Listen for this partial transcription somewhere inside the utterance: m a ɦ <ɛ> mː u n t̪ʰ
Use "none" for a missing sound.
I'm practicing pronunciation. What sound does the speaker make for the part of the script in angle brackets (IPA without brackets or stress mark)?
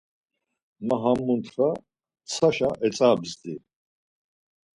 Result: a